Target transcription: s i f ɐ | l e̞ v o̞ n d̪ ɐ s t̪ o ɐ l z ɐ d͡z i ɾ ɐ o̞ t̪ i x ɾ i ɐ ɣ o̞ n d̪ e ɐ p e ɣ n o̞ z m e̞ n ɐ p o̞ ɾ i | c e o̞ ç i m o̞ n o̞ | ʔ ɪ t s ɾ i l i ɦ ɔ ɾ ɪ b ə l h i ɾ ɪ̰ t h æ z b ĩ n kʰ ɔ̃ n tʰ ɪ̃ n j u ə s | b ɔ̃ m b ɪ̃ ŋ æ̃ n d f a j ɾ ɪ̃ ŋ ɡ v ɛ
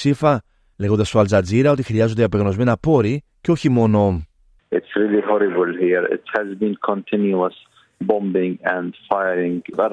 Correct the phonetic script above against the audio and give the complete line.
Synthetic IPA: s i f ɐ | l e̞ ɣ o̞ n d̪ ɐ s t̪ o ɐ l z ɐ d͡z i ɾ ɐ o̞ t̪ i x ɾ i ɐ z o̞ n d̪ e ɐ p e ɣ n o̞ z m e̞ n ɐ p o̞ ɾ i | c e o̞ ç i m o̞ n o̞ | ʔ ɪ t s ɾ i l i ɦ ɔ ɾ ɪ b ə l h i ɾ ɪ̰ t h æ z b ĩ n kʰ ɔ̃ n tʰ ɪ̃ n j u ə s | b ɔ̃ m b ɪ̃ ŋ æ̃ n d f a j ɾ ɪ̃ ŋ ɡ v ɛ